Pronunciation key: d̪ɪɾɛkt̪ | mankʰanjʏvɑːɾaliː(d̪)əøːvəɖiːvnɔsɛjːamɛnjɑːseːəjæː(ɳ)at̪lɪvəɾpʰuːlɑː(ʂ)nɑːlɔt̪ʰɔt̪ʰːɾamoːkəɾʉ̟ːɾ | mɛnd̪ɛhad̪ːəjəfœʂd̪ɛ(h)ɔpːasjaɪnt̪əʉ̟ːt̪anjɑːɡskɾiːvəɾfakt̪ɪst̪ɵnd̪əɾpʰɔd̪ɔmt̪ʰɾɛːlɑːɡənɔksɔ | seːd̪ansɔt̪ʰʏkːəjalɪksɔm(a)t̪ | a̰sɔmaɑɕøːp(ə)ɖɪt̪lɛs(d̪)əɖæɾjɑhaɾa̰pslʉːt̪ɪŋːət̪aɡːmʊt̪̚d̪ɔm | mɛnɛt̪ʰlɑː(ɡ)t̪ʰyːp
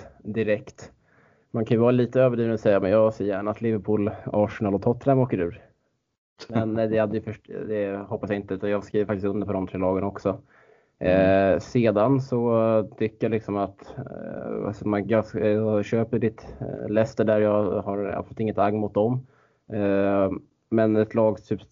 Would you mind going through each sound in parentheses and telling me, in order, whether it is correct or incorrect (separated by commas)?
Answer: incorrect, correct, correct, correct, correct, correct, incorrect, correct